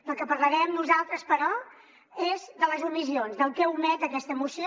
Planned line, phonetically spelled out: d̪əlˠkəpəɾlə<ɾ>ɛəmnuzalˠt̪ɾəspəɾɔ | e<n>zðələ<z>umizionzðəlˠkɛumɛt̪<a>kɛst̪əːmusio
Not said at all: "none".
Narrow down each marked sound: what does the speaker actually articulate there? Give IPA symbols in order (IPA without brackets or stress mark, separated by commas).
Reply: ɾ, none, z, ə